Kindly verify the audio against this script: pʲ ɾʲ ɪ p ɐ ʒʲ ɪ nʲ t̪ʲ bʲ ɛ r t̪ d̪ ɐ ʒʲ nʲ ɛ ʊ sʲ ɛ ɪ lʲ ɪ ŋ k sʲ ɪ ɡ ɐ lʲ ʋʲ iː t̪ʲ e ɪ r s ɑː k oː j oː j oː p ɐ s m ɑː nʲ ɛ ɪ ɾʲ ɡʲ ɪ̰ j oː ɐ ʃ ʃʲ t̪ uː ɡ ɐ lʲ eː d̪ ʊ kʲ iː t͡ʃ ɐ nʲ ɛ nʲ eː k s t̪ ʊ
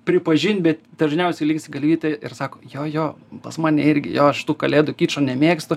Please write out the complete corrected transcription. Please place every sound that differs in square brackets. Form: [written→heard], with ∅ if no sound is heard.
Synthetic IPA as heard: pʲ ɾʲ ɪ p ɐ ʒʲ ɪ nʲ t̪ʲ bʲ ɛ [r→∅] t̪ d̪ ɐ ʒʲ nʲ ɛ ʊ sʲ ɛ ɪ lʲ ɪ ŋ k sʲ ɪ ɡ ɐ lʲ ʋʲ iː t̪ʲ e ɪ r s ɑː k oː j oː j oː p ɐ s m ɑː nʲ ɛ ɪ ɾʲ ɡʲ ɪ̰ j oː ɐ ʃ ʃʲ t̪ uː [ɡ→k] ɐ lʲ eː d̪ ʊ kʲ iː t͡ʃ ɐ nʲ ɛ [nʲ→mʲ] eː k s t̪ ʊ